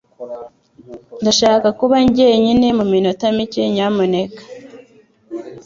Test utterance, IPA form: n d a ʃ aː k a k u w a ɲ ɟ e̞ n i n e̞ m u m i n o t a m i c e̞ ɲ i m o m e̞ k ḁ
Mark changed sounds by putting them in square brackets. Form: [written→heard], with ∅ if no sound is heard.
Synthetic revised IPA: n d a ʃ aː k a k u [w→β] a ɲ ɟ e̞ [n→ɲ] i n e̞ m u m i n o t a m i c e̞ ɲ [i→a] m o [m→n] e̞ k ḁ